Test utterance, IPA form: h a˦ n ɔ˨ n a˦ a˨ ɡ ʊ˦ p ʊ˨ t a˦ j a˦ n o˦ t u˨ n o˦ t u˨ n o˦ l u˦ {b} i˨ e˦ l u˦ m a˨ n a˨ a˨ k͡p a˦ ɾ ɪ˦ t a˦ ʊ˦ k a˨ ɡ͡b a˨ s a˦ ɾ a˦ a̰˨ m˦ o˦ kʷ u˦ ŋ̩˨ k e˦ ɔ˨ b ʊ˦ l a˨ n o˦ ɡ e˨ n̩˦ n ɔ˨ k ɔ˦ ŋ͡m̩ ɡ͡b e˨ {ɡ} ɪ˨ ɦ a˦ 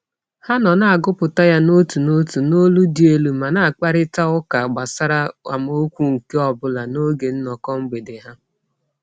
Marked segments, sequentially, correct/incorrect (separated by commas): incorrect, incorrect